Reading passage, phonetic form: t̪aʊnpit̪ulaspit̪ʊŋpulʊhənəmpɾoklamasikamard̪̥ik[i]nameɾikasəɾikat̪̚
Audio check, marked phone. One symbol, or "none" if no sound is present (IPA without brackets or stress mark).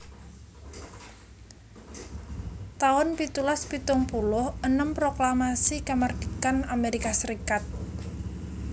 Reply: a